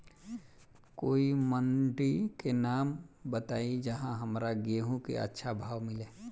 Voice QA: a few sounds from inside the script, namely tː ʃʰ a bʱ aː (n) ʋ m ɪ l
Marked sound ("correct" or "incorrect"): incorrect